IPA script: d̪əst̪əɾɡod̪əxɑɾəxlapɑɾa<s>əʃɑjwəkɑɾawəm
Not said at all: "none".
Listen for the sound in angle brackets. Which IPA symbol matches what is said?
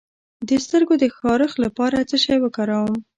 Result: t͡s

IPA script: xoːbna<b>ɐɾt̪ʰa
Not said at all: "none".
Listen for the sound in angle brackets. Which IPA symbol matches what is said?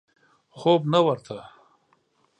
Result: w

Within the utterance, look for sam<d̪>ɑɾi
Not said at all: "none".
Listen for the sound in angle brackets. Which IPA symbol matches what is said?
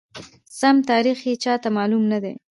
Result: t̪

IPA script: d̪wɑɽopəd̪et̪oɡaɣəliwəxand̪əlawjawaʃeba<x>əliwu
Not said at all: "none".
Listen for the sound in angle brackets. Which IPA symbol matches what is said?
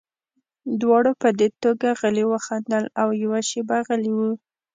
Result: ɣ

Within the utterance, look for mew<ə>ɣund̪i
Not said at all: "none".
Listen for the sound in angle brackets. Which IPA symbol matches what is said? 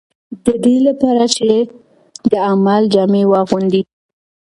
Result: ɑ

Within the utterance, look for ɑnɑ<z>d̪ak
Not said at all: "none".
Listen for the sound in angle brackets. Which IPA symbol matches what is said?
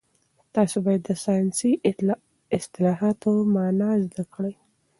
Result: z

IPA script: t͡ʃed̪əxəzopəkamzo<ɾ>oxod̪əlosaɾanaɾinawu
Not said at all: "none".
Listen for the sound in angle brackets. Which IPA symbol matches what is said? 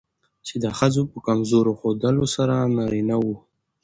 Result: ɾ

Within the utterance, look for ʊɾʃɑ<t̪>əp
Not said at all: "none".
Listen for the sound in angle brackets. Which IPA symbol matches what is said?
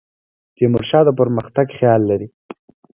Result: d̪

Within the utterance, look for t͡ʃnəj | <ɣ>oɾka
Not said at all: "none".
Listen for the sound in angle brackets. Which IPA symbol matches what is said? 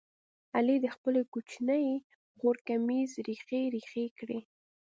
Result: ɣ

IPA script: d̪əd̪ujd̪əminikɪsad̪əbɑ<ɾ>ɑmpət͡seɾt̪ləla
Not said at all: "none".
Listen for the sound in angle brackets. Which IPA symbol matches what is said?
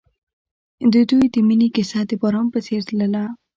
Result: ɾ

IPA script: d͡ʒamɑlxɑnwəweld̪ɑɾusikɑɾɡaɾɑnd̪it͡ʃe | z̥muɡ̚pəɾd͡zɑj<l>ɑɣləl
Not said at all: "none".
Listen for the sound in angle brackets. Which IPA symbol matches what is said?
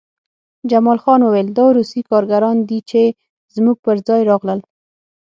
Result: ɾ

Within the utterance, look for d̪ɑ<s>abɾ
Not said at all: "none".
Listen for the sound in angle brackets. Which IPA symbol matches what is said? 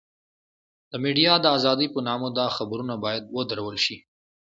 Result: x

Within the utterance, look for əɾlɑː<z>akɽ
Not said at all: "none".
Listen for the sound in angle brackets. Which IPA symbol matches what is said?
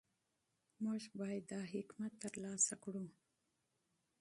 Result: s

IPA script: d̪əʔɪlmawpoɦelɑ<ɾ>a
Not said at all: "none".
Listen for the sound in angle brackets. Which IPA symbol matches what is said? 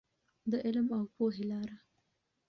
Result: ɾ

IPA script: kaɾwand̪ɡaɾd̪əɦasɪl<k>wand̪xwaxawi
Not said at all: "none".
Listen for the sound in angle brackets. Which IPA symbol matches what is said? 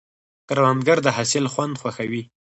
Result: x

